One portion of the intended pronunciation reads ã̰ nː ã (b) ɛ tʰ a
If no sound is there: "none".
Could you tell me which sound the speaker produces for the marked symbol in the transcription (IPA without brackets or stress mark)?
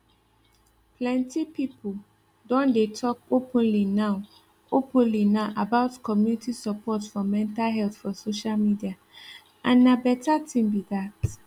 b